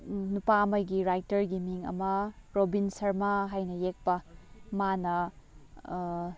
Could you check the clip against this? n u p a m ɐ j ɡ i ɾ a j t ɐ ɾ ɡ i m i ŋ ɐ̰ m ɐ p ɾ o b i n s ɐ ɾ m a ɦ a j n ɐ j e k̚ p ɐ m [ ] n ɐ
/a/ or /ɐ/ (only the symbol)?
a